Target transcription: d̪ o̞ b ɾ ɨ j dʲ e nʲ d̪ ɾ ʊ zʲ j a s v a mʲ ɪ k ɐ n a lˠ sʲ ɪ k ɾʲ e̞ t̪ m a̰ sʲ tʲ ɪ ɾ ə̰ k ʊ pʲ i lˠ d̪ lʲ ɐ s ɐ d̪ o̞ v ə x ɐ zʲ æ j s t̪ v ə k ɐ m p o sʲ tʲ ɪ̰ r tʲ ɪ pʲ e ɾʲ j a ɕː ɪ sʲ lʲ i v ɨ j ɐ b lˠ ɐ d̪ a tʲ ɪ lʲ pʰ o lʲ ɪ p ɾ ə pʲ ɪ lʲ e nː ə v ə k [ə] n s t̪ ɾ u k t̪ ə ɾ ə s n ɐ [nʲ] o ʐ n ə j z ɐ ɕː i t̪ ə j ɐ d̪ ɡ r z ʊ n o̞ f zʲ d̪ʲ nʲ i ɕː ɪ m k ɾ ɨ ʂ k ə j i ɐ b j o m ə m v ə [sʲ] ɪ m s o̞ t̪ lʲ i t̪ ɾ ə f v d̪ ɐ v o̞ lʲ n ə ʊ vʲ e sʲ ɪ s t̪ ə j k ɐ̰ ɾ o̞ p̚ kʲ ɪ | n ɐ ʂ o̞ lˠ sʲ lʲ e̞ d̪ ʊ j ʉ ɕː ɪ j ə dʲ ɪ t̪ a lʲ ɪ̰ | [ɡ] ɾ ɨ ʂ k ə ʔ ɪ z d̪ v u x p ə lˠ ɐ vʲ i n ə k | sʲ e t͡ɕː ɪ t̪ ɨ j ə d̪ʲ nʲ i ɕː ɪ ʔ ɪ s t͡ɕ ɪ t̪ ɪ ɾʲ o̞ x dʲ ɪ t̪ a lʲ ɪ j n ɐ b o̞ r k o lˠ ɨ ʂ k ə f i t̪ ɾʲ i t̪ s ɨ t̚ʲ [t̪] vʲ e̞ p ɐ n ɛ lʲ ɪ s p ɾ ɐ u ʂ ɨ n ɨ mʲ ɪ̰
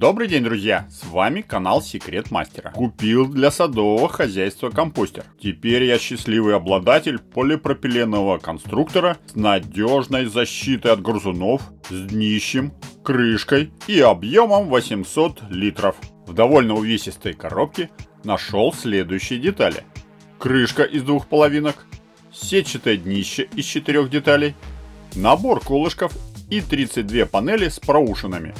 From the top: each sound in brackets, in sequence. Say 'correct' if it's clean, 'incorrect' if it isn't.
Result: incorrect: ɐ, incorrect: dʲ, correct, incorrect: k, incorrect: d̪

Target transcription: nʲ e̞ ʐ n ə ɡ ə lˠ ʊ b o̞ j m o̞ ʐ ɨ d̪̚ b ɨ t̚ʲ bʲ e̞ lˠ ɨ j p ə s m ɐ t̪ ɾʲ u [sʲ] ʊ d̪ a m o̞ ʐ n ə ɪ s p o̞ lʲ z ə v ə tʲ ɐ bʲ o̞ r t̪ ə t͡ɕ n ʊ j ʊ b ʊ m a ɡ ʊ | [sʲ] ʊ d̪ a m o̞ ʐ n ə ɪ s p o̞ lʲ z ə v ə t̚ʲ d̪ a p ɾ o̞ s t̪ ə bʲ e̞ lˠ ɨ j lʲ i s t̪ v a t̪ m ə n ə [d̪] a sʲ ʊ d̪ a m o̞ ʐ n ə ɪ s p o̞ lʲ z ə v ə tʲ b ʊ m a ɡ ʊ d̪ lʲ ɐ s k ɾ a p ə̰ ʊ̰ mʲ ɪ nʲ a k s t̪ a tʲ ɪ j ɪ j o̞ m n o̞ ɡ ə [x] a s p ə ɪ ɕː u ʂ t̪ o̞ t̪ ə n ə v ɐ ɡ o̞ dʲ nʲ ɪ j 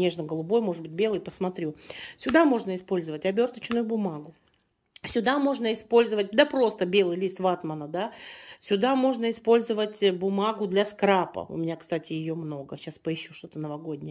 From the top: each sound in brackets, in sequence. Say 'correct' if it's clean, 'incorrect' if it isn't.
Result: correct, correct, correct, incorrect: ɕ

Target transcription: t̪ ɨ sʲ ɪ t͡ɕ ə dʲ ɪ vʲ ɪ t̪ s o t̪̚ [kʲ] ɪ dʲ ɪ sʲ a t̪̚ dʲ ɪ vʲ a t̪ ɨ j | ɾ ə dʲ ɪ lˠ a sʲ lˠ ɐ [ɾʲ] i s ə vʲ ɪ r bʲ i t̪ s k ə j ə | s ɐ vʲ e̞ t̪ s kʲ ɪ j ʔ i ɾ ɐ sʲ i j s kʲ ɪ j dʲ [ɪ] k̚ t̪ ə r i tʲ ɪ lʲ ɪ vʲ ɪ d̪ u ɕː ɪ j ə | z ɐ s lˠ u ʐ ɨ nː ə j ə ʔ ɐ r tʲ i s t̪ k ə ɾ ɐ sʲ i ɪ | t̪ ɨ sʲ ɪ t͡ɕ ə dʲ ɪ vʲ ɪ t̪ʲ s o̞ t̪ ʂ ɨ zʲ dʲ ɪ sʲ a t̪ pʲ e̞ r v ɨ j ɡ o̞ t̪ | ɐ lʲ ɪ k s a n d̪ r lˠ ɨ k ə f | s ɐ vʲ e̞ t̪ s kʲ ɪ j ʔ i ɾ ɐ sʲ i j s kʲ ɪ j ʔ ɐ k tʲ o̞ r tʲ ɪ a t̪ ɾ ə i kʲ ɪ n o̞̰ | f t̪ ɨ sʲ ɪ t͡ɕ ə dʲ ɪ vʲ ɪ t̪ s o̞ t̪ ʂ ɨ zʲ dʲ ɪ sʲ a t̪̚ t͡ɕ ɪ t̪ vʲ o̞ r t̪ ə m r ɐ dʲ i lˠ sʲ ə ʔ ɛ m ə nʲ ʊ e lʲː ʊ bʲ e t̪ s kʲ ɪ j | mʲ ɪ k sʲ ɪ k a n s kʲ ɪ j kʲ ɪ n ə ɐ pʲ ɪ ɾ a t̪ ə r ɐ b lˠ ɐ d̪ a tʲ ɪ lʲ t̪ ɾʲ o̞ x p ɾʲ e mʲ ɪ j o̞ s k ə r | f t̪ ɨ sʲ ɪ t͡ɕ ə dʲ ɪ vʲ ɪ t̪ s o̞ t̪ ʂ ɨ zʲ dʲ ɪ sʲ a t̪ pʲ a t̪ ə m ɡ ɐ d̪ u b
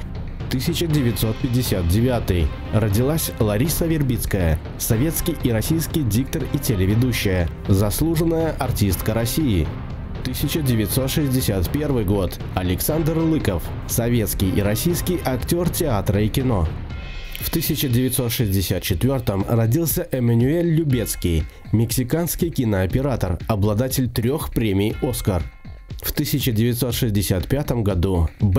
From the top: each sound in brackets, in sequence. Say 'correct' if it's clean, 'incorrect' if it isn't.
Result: incorrect: pʲ, correct, incorrect: i

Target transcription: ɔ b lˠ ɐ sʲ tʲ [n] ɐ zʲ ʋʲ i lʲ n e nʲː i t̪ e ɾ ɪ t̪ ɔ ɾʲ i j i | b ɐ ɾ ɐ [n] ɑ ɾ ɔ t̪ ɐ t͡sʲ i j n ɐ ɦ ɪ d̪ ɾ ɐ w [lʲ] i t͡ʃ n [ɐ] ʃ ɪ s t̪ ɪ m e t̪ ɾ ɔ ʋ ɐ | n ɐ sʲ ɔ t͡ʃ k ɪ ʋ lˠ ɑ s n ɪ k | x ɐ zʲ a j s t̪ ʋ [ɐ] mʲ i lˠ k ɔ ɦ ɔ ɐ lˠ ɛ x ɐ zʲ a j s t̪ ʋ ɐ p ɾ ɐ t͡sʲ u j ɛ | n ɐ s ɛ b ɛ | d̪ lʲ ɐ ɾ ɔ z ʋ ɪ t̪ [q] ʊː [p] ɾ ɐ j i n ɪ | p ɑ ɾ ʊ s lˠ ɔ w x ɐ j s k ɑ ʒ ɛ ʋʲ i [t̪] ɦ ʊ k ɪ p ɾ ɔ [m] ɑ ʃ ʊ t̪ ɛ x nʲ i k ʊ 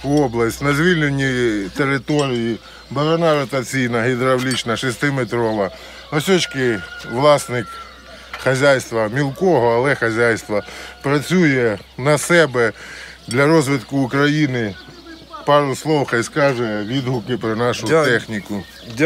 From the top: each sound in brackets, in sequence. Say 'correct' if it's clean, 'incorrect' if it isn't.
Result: correct, correct, correct, correct, correct, incorrect: k, incorrect: k, incorrect: d̪, incorrect: n

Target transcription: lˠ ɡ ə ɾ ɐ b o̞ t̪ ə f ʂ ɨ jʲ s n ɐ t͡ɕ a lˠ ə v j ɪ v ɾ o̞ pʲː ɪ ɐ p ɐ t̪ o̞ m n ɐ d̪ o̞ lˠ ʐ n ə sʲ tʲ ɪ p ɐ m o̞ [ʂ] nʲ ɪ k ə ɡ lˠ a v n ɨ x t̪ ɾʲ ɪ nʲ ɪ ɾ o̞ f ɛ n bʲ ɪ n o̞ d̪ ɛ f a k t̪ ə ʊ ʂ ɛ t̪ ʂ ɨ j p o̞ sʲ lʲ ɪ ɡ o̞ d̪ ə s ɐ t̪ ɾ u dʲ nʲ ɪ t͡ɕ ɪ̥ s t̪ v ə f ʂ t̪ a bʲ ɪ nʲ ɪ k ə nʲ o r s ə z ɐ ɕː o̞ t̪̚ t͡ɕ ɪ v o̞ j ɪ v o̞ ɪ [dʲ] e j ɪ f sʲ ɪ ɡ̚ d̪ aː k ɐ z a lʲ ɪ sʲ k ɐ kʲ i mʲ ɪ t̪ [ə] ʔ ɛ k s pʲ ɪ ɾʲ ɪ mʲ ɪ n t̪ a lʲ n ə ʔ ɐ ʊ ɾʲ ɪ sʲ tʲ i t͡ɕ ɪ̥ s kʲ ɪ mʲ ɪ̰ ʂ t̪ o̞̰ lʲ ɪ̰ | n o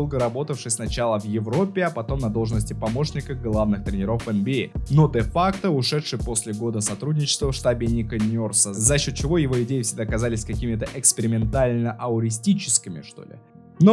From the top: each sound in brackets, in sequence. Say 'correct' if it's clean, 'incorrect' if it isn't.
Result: correct, correct, correct

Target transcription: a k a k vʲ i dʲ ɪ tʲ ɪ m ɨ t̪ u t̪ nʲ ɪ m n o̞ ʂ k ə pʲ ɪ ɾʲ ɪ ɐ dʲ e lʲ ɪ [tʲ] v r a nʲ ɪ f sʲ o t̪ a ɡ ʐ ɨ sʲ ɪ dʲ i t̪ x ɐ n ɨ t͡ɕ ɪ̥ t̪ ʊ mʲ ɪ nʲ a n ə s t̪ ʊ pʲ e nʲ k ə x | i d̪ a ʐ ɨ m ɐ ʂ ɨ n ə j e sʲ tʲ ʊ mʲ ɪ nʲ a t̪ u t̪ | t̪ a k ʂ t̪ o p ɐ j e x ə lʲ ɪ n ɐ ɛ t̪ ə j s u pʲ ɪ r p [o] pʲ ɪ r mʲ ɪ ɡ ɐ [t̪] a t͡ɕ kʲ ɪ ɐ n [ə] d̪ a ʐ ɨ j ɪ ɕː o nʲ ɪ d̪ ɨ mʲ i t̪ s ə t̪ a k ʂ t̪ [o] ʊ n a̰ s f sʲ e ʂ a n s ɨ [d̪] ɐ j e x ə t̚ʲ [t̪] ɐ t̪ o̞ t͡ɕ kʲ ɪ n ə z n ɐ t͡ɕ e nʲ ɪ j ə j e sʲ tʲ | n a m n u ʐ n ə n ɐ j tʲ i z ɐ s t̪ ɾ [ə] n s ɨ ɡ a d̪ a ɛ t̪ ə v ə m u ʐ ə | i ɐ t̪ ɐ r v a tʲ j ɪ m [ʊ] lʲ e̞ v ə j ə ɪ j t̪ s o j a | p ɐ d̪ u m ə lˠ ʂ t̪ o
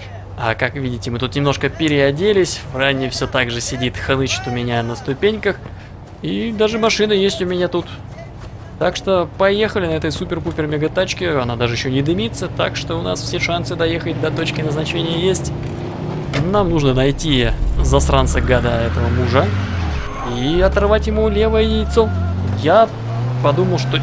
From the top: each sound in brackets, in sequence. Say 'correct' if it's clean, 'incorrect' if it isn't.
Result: incorrect: sʲ, incorrect: u, correct, incorrect: a, correct, correct, incorrect: d̪, incorrect: a, incorrect: u

